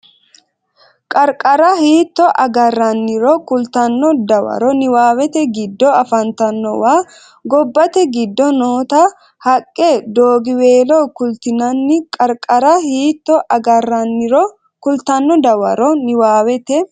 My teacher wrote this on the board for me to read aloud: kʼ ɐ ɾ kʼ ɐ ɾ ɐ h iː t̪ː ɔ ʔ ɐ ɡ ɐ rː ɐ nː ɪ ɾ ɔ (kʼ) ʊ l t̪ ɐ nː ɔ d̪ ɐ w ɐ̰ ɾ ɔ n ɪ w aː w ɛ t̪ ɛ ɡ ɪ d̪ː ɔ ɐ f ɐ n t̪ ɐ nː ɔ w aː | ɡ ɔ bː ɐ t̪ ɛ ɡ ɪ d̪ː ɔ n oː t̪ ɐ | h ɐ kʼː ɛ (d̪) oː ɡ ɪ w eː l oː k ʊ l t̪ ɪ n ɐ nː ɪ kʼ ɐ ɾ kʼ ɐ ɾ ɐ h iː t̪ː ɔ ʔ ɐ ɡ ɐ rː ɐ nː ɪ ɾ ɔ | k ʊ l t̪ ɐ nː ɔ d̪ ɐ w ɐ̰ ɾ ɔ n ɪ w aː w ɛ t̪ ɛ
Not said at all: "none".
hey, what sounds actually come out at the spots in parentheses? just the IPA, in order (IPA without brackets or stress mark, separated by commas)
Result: k, d̪